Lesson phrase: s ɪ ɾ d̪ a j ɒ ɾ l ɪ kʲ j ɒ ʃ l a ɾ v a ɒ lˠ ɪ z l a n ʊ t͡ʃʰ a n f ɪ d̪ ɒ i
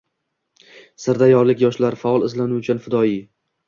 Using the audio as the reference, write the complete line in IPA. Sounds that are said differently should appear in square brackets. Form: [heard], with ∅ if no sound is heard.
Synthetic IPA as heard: s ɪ ɾ d̪ a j ɒ ɾ l ɪ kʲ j ɒ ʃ l a ɾ [f] a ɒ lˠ ɪ z l a n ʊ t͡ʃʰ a n f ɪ d̪ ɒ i